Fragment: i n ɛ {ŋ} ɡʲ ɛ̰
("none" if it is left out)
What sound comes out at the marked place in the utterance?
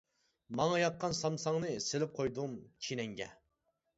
ŋ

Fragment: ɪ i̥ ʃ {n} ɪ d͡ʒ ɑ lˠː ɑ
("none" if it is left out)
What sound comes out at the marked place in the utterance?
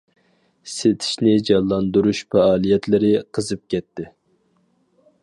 n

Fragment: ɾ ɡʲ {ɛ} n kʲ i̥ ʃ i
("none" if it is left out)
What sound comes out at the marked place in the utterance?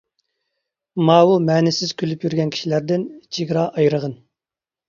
ɛ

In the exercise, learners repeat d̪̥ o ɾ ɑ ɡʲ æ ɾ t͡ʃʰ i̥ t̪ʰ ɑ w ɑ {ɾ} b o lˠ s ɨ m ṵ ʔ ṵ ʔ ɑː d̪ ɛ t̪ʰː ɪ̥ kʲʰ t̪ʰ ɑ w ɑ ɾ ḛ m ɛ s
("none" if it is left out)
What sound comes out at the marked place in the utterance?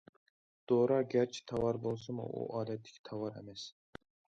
ɾ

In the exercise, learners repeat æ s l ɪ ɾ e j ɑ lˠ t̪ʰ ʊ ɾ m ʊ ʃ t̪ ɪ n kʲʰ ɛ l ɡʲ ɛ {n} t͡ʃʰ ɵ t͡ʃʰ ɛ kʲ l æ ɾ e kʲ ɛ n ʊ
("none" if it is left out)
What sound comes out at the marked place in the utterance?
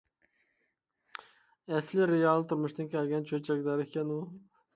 n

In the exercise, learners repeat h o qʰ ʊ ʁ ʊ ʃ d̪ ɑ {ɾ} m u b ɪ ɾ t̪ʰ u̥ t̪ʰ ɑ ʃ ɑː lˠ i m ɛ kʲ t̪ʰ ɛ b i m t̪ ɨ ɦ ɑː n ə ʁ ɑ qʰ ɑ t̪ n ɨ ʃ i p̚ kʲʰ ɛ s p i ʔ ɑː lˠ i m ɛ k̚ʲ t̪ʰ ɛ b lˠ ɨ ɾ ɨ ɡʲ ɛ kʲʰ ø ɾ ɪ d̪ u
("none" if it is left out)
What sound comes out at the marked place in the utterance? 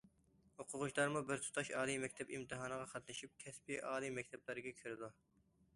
ɾ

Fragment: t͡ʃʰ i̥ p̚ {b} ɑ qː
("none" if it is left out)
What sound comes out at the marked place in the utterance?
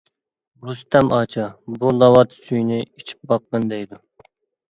b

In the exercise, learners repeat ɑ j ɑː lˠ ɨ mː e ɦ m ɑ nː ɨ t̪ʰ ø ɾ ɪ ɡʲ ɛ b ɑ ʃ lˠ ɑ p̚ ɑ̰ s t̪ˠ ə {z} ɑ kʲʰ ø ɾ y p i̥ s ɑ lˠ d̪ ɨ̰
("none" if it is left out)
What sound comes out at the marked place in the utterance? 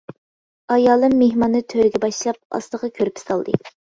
ʁ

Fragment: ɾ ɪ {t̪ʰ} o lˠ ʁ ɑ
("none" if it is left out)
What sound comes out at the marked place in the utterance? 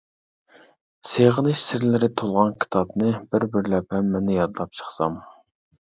t̪ʰ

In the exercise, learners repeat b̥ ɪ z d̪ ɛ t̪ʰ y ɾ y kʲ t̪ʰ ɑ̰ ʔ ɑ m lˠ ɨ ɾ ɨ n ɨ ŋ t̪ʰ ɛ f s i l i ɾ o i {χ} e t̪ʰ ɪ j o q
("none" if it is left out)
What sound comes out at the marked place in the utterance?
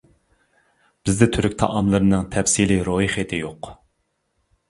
χ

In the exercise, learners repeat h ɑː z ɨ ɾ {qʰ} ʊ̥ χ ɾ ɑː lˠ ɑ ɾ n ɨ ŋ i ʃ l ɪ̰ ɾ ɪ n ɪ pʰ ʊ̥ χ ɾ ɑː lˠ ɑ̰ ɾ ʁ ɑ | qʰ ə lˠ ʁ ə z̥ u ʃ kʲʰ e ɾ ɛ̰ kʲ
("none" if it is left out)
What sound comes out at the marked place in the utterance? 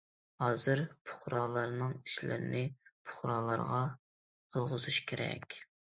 pʰ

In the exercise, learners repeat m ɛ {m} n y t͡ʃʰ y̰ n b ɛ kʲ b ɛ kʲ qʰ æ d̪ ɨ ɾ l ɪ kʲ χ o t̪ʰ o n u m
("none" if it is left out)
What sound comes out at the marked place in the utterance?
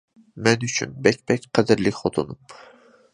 none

